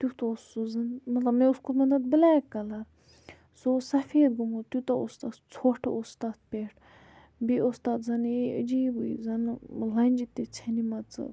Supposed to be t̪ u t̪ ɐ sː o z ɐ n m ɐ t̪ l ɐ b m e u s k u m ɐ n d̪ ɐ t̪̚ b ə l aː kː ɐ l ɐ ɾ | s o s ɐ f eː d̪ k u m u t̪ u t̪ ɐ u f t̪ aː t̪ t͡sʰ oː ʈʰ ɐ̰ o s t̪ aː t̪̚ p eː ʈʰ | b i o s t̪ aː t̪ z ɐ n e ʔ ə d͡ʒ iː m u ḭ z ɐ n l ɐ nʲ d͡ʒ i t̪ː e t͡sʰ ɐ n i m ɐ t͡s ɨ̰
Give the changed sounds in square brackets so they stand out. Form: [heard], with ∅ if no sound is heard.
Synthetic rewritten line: t̪ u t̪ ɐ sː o z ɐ n m ɐ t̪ l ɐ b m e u s k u m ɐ n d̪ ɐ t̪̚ b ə l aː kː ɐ l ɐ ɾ | s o s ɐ f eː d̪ [ɡ] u m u t̪ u t̪ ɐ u [s] t̪ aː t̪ t͡sʰ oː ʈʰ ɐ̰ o s t̪ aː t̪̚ p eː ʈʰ | b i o s t̪ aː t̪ z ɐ n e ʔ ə d͡ʒ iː [b] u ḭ z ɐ n l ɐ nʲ d͡ʒ i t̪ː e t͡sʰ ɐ n i m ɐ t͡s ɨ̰